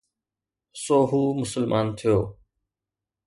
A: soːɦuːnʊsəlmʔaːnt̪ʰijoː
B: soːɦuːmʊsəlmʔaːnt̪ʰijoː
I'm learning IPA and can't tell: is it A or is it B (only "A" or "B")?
B